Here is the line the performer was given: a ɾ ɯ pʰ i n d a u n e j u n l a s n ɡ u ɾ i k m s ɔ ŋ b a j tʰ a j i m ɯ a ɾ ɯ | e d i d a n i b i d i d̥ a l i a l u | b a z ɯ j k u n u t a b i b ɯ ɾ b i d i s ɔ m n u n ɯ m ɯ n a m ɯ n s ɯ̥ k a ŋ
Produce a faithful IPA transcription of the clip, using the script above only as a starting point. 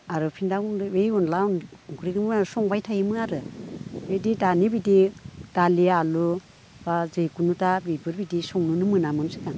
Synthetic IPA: a ɾ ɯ pʰ i n d a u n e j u n l a n ɡ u ɾ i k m s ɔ ŋ b a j tʰ a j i m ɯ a ɾ ɯ | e d i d a n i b i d i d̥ a l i a l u | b a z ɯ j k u n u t a b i b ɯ ɾ b i d i s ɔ ŋ n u n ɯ m ɯ n a m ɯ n s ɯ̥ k a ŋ